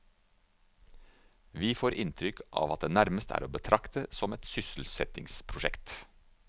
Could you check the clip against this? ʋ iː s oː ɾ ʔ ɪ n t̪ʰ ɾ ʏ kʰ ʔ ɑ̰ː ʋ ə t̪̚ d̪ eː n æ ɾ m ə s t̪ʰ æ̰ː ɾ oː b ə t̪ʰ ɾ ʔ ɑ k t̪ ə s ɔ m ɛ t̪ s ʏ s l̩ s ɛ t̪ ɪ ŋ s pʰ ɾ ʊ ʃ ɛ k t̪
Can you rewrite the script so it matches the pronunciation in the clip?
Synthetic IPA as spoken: ʋ iː f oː ɾ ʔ ɪ n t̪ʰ ɾ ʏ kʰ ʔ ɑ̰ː ʋ ɑ t̪̚ d̪ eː n æ ɾ m ə s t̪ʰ æ̰ː ɾ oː b ə t̪ʰ ɾ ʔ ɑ k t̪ ə s ɔ m ɛ t̪ s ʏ s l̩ s ɛ t̪ ɪ ŋ s pʰ ɾ ʊ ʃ ɛ k t̪